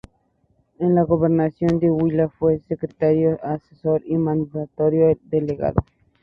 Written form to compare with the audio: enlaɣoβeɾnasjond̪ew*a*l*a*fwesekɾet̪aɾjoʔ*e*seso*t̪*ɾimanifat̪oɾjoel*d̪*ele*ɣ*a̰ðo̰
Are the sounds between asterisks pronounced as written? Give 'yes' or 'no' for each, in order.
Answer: no, yes, no, no, yes, yes

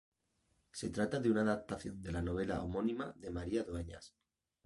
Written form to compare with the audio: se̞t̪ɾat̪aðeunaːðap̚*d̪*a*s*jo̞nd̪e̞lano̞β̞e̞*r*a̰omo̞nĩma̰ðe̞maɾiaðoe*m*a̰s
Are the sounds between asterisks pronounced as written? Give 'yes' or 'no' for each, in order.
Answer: no, no, no, no

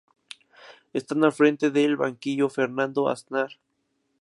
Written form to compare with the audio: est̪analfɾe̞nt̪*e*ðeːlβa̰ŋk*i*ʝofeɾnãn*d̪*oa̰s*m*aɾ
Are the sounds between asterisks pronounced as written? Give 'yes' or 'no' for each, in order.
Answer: yes, yes, yes, no

